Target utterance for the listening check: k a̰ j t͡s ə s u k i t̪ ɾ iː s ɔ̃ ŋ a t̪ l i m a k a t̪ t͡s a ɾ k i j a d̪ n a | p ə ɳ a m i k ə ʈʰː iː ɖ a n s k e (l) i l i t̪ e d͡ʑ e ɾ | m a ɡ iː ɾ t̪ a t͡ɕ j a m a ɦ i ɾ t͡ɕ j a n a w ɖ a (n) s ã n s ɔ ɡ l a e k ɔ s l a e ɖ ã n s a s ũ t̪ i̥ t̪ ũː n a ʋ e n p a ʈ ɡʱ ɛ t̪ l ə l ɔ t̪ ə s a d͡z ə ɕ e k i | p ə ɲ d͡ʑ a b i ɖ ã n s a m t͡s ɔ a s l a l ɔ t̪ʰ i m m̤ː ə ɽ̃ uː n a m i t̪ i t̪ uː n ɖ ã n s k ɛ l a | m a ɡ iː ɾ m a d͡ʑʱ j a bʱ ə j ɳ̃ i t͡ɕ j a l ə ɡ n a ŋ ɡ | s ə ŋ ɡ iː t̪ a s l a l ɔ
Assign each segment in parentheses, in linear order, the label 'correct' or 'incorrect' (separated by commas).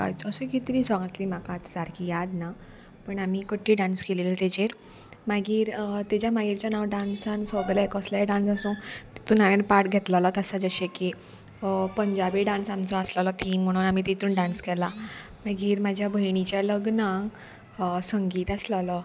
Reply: correct, correct